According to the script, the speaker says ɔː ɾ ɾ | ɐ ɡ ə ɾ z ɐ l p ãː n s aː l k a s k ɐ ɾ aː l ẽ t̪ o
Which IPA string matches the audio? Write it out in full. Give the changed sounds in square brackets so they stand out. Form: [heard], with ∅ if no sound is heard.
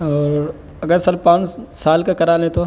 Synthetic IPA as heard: ɔː ɾ ɾ | ɐ ɡ ə ɾ [s] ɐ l p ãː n s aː l k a [∅] k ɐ ɾ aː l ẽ t̪ o